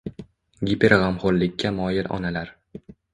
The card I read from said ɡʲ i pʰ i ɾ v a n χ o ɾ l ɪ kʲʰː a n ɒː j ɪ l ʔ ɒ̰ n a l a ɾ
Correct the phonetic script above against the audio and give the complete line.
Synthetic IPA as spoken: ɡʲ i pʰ e ɾ ʁ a m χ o ɾ l ɪ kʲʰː a m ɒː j ɪ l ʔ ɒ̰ n a l a ɾ